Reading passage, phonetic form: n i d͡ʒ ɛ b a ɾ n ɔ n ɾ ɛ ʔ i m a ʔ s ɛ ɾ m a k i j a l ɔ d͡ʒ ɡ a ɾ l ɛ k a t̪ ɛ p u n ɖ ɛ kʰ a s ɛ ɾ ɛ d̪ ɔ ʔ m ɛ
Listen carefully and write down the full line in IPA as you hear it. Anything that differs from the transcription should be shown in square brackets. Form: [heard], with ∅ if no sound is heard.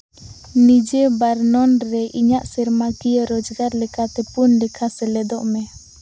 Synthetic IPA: n i d͡ʒ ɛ b a ɾ n ɔ n ɾ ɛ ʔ i [ɲ] a ʔ s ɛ ɾ m a k i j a [ɾ] ɔ d͡ʒ ɡ a ɾ l ɛ k a t̪ ɛ p u n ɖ ɛ kʰ a s ɛ [l] ɛ d̪ ɔ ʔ m ɛ